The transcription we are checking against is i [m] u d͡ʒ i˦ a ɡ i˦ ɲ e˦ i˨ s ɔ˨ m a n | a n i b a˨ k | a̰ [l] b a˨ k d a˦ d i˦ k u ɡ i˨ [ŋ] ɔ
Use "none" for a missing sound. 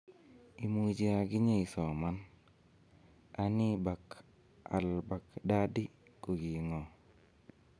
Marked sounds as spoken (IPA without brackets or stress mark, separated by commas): m, l, ŋ